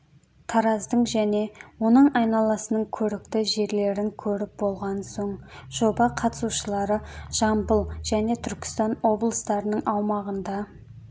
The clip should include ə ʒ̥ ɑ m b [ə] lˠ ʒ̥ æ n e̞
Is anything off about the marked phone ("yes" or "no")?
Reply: no